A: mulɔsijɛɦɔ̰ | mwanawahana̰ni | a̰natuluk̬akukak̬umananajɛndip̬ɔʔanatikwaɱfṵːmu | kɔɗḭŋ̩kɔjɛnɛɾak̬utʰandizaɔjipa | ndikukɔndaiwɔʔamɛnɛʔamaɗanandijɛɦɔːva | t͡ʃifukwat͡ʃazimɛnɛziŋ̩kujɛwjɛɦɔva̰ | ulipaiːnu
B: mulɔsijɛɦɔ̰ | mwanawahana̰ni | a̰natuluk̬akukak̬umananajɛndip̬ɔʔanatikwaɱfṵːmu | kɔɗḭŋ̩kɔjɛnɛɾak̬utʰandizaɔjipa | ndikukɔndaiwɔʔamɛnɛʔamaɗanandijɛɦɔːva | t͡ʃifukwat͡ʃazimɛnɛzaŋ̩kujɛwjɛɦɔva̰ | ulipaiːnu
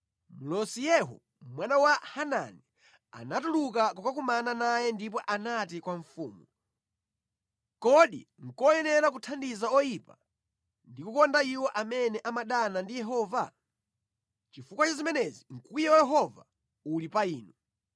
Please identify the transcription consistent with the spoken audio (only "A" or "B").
A